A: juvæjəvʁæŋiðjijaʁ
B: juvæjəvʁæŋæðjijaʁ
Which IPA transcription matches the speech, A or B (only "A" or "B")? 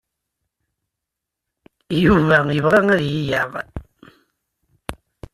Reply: B